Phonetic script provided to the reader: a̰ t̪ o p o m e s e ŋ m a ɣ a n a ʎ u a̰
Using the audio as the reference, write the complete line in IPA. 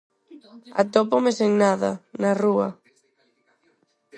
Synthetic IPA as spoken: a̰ t̪ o p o m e s e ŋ n a ð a n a r u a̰